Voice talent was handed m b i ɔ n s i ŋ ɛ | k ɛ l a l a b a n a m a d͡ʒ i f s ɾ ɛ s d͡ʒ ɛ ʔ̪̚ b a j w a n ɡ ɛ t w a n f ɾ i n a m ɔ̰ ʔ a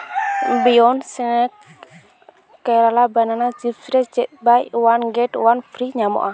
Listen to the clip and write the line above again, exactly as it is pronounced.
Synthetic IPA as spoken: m b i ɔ n s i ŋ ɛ | k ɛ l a l a b a n a n a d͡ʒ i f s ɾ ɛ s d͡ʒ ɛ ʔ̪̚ b a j w a n ɡ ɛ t w a n f ɾ i ɲ a m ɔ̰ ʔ a